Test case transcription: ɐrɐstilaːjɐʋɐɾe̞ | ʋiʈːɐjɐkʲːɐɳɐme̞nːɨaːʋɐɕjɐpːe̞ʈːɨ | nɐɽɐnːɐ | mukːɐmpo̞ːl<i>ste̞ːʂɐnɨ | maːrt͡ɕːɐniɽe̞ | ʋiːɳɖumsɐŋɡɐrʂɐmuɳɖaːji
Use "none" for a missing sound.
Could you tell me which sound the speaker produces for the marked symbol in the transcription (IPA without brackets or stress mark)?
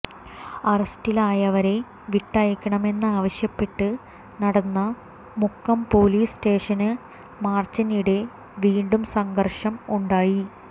iː